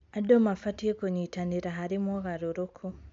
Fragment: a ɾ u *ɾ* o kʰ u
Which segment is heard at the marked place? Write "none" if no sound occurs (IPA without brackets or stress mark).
ɾ